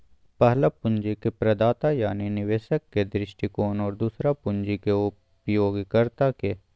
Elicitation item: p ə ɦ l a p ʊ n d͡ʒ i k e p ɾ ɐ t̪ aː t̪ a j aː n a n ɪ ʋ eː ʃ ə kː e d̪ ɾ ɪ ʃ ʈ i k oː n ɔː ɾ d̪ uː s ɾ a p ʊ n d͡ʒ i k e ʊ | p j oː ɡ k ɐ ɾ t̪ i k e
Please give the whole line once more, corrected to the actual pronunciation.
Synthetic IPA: p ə ɦ l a p ʊ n d͡ʒ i k e p ɾ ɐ d̪ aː t̪ a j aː n i n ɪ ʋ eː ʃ ə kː e d̪ ɾ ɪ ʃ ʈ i k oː n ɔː ɾ d̪ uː s ɾ a p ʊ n d͡ʒ i k e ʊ | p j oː ɡ k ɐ ɾ t̪ a k e

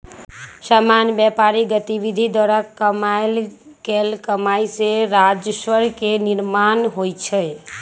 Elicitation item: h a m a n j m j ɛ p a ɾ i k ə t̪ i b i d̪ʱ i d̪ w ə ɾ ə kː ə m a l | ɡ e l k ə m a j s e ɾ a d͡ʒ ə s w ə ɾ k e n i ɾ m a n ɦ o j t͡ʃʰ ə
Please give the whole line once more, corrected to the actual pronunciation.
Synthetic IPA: s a m a n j b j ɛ p a ɾ i ɡ ə t̪ i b i d̪ʱ i d̪ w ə ɾ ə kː ə m a l | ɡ e l k ə m a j s e ɾ a d͡ʒ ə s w ə ɾ k e n i ɾ m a n ɦ o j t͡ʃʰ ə

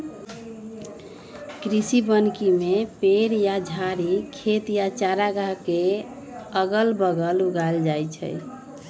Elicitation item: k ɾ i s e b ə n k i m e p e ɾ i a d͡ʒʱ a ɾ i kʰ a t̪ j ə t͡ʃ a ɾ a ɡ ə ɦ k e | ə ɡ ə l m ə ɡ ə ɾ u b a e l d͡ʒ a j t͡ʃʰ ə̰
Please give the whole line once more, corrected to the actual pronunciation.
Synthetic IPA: k ɾ i s i b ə n k i m e p e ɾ j a d͡ʒʱ a ɾ i kʰ e t̪ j a t͡ʃ a ɾ a ɡ a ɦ k e | ə ɡ ə l b ə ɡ ə l u ɡ a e l d͡ʒ a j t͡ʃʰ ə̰

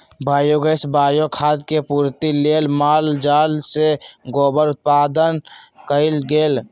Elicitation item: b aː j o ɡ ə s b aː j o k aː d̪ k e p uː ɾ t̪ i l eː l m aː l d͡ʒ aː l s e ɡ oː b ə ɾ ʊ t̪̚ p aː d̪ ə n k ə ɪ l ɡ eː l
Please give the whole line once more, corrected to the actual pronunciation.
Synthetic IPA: b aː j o ɡ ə s b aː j o kʰ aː d̪ k e p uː ɾ t̪ i l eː l m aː l d͡ʒ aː l s e ɡ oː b ə ɾ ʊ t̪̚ p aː d̪ ə n k ə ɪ l ɡ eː l

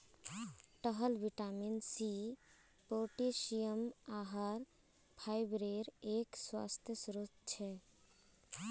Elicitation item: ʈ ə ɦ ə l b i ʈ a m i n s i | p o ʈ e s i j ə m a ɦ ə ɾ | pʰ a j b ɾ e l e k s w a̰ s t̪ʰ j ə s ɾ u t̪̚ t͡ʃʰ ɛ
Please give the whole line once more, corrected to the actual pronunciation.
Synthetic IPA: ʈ ə ɦ ə l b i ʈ a m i n s i | p o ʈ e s i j ə m a ɦ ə ɾ | pʰ a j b ɾ e ɾ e k s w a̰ s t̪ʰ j ə s ɾ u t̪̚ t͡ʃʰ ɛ

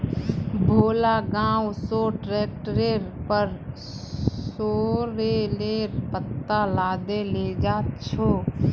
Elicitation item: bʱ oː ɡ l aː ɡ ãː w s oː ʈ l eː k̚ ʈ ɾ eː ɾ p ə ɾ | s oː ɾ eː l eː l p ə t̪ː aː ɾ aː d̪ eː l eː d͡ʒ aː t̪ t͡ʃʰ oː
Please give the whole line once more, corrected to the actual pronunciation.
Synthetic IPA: bʱ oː l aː ɡ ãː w s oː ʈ ɾ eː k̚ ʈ ɾ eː ɾ p ə ɾ | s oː ɾ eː l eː ɾ p ə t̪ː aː l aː d̪ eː l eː d͡ʒ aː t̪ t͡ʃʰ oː

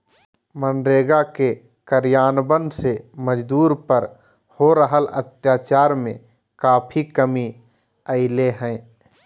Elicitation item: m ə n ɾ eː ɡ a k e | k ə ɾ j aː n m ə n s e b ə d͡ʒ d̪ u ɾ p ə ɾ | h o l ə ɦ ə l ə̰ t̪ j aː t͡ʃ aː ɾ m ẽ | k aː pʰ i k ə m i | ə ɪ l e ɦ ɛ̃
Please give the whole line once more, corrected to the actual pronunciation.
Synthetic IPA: m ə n ɾ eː ɡ a k e | k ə ɾ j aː n b ə n s e m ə d͡ʒ d̪ uː ɾ p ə ɾ | h o ɾ ə ɦ ə l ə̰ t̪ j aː t͡ʃ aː ɾ m ẽ | k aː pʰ i k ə m i | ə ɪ l e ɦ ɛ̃

